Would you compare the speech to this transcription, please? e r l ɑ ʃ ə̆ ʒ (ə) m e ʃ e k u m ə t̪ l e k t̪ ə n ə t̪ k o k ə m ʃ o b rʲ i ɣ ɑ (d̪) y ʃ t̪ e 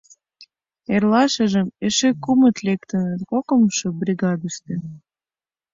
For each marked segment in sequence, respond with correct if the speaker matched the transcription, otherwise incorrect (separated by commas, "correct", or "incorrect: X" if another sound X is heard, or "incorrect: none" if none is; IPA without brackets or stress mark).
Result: correct, correct